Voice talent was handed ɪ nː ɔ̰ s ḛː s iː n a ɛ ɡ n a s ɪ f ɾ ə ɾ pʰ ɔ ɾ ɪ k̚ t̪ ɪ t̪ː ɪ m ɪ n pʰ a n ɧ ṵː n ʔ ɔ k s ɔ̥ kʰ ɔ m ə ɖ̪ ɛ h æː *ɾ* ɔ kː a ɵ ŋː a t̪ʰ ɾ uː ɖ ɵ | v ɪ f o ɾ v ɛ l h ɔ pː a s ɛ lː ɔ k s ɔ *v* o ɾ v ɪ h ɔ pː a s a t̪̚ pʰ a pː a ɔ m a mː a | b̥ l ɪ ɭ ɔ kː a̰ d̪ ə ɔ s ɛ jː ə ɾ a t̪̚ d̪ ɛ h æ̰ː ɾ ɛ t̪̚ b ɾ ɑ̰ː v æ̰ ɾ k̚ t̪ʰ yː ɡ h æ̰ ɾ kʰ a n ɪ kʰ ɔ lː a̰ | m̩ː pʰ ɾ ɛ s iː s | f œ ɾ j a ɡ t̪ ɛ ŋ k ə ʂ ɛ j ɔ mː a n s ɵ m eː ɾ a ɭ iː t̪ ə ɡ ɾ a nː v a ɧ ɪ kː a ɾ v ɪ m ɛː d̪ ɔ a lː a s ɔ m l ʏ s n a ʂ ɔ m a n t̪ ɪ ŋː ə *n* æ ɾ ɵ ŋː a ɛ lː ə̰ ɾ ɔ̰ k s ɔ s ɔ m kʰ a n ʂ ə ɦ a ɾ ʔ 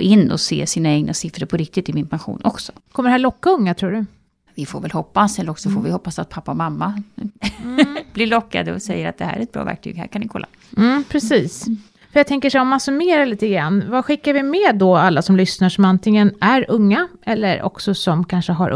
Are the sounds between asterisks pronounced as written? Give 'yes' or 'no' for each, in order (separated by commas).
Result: no, no, yes